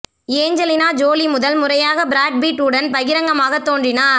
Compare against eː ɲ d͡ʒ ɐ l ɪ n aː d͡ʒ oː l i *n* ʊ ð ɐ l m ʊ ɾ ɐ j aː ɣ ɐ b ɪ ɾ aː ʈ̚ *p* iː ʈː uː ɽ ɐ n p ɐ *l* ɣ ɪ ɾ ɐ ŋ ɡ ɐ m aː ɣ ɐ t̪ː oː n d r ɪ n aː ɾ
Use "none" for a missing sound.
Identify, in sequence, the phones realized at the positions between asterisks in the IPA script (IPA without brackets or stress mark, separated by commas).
m, b, none